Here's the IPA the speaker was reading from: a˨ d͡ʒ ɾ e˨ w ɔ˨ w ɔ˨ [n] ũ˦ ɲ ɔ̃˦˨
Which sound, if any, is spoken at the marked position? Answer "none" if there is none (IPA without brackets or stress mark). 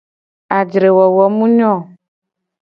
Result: m